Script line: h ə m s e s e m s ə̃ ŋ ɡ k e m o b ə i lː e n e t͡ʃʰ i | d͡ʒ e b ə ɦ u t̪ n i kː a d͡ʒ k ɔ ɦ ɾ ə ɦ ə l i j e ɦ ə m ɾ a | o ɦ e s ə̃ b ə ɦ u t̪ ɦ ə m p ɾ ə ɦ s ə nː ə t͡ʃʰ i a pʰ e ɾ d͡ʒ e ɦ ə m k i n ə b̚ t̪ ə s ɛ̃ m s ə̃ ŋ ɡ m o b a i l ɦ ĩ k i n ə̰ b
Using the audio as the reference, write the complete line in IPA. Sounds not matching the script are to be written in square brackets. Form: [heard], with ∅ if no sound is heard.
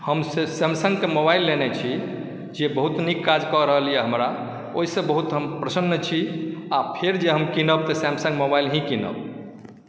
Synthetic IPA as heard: h ə m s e s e m s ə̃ ŋ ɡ k e m o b [a] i lː e n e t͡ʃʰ i | d͡ʒ e b ə ɦ u t̪ n i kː a d͡ʒ k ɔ [∅] ɾ ə ɦ ə l i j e ɦ ə m ɾ a | o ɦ [i] s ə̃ b ə ɦ u t̪ ɦ ə m p ɾ ə [∅] s ə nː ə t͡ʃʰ i a pʰ e ɾ d͡ʒ e ɦ ə m k i n ə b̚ t̪ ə s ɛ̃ m s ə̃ ŋ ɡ m o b a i l ɦ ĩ k i n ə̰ b